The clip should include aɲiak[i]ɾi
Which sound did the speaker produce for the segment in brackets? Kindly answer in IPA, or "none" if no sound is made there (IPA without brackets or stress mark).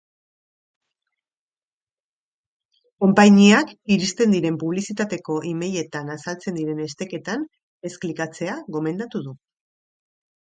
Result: i